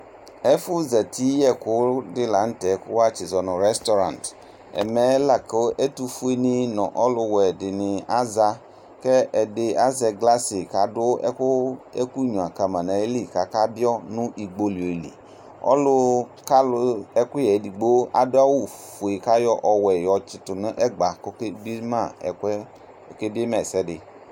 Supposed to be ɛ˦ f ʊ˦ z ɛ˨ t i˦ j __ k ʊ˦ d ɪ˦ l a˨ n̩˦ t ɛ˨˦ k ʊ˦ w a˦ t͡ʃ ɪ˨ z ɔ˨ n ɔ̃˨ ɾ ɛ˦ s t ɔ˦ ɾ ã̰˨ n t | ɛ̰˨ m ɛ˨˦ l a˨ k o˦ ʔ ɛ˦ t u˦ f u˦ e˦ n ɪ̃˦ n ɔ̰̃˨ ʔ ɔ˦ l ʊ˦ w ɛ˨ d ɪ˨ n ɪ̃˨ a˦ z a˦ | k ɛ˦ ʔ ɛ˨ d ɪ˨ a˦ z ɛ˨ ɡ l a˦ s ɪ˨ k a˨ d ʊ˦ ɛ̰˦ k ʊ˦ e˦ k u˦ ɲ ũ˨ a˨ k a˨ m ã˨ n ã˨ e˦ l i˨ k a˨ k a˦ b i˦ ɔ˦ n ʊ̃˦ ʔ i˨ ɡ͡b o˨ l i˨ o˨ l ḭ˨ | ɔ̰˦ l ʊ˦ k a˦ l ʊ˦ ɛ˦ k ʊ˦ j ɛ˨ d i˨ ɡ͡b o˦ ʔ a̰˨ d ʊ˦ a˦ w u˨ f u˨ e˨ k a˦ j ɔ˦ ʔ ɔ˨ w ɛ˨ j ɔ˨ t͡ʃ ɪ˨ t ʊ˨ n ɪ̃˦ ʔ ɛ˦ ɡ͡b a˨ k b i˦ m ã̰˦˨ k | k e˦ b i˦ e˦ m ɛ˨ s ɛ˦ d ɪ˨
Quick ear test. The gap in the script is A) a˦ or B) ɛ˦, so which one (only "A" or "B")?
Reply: B